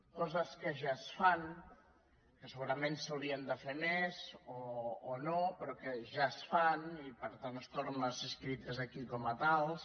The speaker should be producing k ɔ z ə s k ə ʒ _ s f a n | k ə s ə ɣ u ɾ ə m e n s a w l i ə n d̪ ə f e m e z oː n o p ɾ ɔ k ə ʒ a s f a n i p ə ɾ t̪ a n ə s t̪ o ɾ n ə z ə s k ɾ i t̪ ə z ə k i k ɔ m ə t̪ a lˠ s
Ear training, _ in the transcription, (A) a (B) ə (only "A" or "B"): A